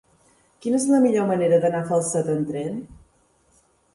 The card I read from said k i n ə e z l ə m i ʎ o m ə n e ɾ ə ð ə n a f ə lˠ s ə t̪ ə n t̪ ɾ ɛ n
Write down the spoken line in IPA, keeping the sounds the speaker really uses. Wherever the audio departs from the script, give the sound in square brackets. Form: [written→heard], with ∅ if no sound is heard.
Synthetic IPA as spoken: k i n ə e z l ə m i ʎ o m ə n e ɾ ə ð ə n a f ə lˠ s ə t̪ ə n t̪ ɾ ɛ n